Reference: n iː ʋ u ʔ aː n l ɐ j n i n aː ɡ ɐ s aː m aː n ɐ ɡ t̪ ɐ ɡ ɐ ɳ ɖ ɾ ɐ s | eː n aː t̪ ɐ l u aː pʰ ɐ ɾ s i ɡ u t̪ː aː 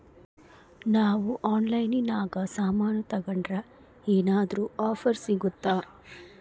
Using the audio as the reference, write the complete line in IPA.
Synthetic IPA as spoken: n aː ʋ u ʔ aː n l ɐ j n i n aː ɡ ɐ s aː m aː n ɐ t̪ ɐ ɡ ɐ ɳ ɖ ɾ ɐ | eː n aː d̪ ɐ ɾ u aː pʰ ɐ ɾ s i ɡ u t̪ː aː